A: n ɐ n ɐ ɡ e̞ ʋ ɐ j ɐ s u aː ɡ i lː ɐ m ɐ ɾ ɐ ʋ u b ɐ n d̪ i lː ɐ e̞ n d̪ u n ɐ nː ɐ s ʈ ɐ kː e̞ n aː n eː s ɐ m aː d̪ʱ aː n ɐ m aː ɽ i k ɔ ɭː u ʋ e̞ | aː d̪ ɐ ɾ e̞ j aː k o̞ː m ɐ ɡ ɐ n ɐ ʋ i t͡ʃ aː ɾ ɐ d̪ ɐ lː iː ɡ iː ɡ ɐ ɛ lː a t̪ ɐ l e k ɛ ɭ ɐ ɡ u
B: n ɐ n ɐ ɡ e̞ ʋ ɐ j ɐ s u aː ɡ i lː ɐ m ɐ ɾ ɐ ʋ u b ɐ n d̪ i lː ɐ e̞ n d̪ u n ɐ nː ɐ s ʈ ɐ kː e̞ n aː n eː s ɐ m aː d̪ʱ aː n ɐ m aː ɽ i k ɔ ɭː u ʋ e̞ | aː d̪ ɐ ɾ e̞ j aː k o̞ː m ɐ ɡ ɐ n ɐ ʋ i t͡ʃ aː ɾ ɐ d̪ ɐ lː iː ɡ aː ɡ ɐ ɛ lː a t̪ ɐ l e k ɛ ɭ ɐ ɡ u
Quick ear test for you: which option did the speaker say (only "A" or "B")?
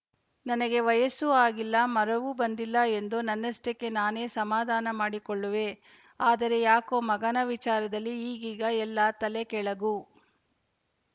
A